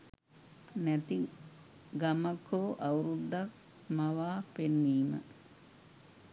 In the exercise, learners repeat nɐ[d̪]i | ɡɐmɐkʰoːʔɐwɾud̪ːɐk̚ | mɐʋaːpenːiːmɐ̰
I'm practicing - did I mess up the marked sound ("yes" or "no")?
yes